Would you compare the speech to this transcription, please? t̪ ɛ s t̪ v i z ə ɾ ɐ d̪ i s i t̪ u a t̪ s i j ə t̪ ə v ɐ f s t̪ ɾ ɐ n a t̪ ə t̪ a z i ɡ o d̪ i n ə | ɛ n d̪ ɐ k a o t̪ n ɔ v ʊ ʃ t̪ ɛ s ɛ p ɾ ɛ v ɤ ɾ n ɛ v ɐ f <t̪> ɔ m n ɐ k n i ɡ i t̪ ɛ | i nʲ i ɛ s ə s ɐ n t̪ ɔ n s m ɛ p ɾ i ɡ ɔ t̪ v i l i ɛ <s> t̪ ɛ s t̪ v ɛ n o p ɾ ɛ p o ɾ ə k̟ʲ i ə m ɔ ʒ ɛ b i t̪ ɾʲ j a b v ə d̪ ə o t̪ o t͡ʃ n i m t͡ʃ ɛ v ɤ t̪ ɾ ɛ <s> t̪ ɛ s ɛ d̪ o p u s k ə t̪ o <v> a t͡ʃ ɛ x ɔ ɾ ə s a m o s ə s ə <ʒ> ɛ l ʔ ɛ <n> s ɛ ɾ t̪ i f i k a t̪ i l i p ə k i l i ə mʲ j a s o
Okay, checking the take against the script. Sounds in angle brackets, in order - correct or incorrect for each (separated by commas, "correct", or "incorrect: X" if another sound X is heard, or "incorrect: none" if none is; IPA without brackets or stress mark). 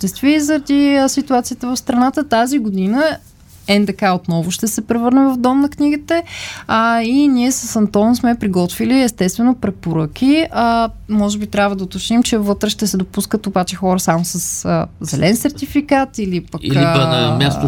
incorrect: d̪, correct, incorrect: ʃ, incorrect: b, incorrect: z, correct